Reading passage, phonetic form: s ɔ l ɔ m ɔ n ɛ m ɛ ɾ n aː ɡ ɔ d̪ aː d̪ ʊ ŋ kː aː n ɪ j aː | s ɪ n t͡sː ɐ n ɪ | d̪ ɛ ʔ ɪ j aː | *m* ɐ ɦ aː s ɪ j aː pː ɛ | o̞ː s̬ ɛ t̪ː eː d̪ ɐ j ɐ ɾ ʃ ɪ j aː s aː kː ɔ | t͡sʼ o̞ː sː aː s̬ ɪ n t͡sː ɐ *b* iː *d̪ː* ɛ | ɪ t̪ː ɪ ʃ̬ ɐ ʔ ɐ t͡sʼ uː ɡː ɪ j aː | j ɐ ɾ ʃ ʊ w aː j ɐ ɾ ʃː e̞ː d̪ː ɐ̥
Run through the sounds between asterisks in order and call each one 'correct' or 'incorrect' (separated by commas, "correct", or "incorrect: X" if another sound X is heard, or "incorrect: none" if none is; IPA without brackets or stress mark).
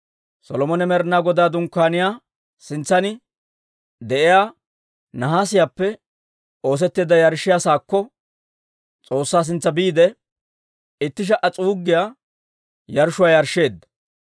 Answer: incorrect: n, correct, incorrect: d̪